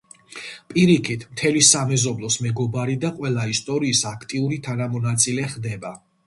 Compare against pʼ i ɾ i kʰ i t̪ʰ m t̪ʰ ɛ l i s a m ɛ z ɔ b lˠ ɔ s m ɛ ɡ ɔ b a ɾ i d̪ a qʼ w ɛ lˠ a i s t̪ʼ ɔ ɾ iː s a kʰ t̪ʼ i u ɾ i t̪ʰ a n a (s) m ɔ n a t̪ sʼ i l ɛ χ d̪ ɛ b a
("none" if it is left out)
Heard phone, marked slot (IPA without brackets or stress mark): none